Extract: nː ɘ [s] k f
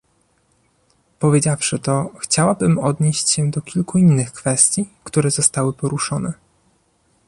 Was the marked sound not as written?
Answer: yes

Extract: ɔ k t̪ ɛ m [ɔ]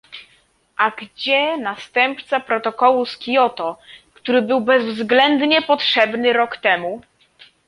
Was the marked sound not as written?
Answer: yes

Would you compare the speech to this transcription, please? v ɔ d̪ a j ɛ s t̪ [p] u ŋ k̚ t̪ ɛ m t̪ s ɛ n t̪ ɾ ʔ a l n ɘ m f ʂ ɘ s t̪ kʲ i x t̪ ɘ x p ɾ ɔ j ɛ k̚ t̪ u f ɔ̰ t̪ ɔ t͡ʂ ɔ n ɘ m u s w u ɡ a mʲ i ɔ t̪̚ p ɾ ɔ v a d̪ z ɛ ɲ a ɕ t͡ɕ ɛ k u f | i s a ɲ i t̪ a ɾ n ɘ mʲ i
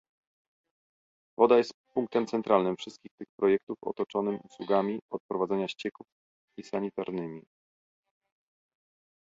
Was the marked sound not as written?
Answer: no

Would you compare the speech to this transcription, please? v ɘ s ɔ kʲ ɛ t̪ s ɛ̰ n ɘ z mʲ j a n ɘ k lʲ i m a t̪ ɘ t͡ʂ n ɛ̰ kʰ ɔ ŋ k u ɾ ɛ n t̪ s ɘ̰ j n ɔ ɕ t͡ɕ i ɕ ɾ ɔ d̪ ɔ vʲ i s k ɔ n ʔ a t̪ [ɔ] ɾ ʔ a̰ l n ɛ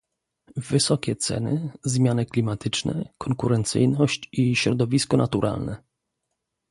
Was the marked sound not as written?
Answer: yes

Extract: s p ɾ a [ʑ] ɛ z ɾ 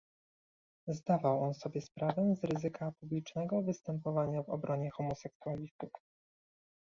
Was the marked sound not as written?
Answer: yes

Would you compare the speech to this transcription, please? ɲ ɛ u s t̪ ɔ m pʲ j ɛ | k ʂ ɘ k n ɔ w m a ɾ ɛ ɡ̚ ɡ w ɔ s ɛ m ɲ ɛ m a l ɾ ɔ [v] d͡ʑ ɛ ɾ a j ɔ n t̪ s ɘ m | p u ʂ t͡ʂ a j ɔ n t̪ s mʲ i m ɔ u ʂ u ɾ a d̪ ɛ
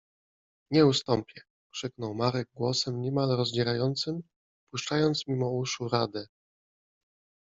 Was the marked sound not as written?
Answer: yes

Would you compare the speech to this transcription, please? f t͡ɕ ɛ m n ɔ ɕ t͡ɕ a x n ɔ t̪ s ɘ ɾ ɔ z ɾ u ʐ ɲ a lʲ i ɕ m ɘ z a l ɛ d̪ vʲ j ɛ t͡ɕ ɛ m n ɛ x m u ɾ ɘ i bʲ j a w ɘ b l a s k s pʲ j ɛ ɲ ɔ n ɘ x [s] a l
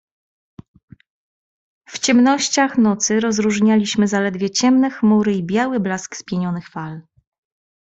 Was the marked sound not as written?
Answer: yes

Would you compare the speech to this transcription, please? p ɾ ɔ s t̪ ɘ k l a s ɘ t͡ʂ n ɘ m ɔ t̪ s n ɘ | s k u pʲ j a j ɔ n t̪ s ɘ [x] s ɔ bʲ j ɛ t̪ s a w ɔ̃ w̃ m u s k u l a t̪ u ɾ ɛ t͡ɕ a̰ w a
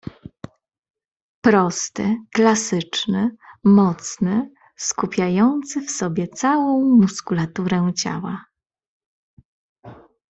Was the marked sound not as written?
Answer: yes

